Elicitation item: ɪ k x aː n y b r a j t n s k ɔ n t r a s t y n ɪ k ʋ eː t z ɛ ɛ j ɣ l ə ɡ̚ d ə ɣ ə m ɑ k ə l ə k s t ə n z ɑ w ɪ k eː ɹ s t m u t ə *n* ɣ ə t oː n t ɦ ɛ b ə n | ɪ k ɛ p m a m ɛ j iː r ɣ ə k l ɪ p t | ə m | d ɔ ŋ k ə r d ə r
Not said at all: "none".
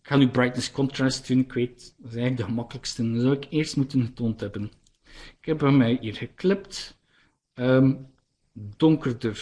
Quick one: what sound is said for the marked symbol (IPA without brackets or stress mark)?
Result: n